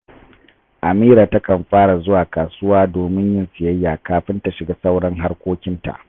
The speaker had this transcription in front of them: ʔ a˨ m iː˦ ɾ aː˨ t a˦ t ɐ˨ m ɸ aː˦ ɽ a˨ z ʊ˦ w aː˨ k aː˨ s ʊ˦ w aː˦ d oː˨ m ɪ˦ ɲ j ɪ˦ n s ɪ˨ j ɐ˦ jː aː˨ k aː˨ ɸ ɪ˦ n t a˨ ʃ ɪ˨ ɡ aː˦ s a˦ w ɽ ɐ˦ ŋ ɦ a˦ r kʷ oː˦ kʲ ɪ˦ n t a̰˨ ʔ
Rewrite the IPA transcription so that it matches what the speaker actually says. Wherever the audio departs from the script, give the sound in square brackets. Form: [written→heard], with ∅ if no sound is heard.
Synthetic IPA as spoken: ʔ a˨ m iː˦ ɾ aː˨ t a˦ [t→k] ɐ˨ m ɸ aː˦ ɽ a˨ z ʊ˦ w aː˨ k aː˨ s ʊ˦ w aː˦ d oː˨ m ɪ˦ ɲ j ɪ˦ n s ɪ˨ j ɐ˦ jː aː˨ k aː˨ ɸ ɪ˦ n t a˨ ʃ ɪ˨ ɡ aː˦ s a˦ w ɽ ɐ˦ ŋ ɦ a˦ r kʷ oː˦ kʲ ɪ˦ n t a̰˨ ʔ